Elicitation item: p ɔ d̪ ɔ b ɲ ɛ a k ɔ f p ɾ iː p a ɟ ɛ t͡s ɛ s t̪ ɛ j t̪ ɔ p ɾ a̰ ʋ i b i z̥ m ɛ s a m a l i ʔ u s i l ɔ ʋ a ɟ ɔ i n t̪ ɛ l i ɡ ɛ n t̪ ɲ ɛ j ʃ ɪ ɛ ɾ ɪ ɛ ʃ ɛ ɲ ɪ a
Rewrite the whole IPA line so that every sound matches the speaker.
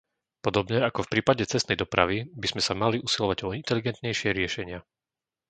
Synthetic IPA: p ɔ d̪ ɔ b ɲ ɛ a k ɔ f p ɾ iː p a ɟ ɛ t͡s ɛ s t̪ ɛ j d̪ ɔ p ɾ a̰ ʋ i b i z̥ m ɛ s a m a l i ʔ u s i l ɔ ʋ a ɟ ɔ i n t̪ ɛ l i ɡ ɛ n t̪ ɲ ɛ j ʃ ɪ ɛ ɾ ɪ ɛ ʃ ɛ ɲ ɪ a